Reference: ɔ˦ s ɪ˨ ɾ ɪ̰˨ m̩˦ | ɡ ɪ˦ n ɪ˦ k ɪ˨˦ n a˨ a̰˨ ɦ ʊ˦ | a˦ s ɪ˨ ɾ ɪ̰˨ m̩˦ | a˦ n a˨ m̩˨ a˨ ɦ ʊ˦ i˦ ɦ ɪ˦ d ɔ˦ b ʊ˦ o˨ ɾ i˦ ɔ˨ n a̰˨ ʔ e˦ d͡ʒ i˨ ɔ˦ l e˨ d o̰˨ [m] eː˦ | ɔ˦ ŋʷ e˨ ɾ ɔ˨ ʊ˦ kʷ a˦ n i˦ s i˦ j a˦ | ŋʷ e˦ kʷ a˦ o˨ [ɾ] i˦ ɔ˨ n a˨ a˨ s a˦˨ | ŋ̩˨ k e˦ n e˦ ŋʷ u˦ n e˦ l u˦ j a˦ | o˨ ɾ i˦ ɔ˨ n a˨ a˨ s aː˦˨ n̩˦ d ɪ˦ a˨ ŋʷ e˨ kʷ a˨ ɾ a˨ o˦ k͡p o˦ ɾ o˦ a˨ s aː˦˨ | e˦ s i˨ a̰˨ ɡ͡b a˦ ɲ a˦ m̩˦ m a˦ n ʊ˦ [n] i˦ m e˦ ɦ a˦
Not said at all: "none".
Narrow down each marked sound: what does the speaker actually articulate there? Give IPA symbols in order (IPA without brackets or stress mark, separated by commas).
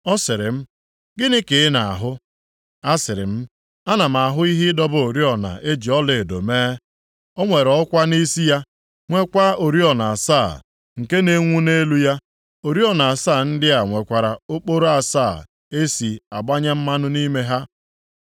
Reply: m, ɾ, n